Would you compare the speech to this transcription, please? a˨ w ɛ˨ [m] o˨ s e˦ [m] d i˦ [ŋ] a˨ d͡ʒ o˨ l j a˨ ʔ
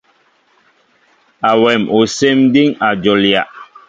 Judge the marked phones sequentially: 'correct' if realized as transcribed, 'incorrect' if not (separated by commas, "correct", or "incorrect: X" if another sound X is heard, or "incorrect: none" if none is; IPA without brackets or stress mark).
correct, correct, correct